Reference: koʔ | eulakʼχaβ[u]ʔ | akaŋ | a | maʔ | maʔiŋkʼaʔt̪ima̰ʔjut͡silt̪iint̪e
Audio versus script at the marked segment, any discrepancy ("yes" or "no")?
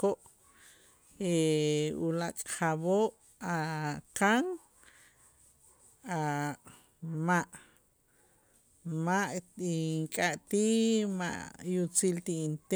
yes